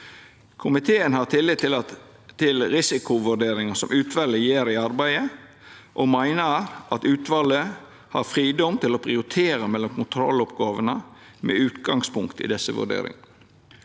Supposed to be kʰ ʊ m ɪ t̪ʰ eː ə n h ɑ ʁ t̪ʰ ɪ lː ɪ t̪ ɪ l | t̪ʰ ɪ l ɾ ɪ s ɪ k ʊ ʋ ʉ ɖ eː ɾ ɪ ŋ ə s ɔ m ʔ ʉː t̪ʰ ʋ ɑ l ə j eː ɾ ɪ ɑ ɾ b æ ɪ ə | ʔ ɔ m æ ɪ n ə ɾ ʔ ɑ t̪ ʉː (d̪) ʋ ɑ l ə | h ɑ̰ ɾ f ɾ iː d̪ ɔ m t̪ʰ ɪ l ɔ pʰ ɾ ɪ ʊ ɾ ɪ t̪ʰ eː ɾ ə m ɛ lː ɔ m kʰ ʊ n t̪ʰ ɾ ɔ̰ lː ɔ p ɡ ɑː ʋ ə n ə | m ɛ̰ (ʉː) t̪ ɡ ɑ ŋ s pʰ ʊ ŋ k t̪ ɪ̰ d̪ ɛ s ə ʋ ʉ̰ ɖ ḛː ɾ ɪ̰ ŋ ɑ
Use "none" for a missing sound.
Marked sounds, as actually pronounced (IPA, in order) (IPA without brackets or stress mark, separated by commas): t̪, ʉː